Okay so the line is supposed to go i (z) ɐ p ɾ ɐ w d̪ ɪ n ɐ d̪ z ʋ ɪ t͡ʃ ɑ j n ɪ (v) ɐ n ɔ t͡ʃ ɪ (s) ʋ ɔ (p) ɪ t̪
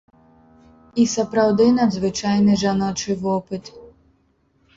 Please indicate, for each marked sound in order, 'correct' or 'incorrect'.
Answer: incorrect, incorrect, incorrect, correct

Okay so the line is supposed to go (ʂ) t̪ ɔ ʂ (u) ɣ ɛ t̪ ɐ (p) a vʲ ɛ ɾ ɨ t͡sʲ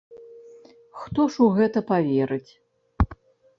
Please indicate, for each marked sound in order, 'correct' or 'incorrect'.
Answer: incorrect, correct, correct

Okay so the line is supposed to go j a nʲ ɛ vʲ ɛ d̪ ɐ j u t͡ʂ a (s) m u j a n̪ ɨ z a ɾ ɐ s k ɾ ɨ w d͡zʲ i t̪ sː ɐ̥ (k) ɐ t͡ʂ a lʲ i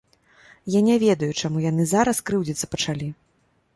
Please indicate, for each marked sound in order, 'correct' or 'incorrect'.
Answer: incorrect, incorrect

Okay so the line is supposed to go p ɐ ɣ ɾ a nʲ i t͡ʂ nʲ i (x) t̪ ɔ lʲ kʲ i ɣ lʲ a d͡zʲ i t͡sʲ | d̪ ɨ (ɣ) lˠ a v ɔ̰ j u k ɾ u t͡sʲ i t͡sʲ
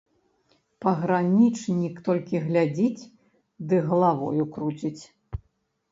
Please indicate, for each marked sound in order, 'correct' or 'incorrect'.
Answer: incorrect, correct

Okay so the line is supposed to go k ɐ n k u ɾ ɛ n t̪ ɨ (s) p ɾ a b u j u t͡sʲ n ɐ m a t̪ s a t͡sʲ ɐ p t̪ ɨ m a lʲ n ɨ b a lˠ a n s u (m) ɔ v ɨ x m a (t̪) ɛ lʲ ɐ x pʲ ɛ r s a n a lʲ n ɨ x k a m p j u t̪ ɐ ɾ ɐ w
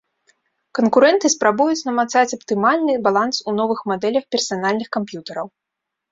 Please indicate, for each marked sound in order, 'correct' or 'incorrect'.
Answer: correct, incorrect, incorrect

